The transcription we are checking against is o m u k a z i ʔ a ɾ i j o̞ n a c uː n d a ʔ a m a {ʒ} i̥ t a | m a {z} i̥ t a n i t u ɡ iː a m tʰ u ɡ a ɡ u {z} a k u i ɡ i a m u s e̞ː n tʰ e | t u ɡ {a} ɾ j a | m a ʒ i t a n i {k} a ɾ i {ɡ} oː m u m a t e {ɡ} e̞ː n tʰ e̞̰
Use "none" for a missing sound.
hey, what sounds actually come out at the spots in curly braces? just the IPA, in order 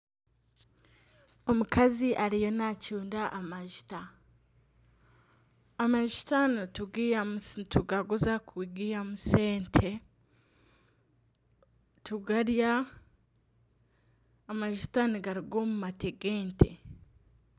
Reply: ʒ, ʒ, z, a, ɡ, ɡ, ɡ

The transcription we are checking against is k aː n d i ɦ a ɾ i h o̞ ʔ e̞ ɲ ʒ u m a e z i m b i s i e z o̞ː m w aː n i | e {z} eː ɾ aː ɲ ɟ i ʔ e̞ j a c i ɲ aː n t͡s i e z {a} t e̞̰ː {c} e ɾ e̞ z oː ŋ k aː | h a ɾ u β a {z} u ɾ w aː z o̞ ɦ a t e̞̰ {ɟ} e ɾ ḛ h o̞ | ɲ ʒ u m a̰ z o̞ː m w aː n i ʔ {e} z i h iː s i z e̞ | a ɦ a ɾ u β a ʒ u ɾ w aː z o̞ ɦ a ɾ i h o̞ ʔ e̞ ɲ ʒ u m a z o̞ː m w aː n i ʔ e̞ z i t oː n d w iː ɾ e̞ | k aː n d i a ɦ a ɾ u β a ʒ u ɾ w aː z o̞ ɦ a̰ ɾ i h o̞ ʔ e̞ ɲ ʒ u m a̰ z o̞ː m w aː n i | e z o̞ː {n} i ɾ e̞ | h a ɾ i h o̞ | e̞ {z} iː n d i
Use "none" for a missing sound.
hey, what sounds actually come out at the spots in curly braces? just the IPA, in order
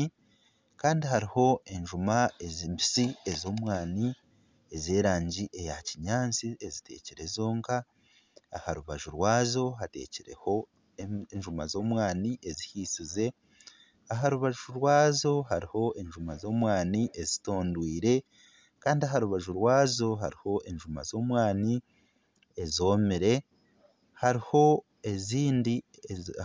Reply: z, i, c, ʒ, c, e, m, z

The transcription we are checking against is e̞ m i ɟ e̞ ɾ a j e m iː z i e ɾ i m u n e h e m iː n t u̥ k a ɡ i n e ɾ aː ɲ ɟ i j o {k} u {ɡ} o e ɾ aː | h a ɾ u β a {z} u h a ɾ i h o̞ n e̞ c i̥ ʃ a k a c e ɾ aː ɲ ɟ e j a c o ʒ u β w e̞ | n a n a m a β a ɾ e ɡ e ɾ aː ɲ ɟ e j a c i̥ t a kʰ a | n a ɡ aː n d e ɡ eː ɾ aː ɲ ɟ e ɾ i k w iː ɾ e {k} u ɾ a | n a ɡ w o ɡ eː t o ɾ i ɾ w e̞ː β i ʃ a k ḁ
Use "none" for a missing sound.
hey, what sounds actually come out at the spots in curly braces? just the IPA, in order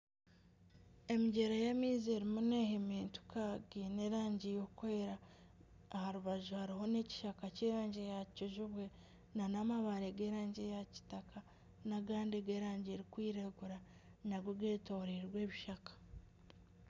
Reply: k, k, ʒ, ɡ

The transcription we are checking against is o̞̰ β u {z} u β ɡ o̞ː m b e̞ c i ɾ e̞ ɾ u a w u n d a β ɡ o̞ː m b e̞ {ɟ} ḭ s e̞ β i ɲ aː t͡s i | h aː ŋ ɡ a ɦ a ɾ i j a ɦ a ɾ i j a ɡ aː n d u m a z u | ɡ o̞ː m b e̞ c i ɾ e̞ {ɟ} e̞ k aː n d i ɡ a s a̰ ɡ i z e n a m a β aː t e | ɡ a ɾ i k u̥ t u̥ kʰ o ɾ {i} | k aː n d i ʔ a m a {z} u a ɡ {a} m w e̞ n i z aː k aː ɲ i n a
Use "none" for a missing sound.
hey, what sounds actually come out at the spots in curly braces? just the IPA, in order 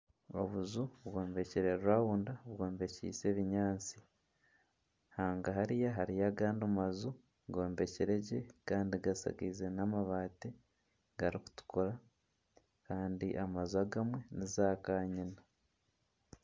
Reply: z, c, ɟ, a, z, a

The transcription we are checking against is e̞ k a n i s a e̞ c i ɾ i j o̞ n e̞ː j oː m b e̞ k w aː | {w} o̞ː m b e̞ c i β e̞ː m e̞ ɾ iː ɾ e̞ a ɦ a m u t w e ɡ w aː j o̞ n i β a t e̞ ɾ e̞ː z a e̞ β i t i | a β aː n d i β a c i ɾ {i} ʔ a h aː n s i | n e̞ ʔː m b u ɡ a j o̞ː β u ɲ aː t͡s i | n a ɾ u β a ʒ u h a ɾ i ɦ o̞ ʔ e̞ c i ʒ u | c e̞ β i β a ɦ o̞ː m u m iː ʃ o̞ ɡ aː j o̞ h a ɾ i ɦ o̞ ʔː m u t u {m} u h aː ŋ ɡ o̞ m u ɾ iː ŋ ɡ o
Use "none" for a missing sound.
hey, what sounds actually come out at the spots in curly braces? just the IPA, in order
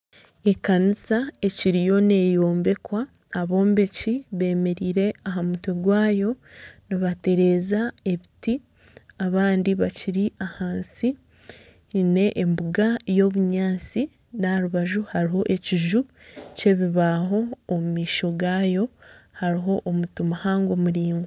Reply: β, i, m

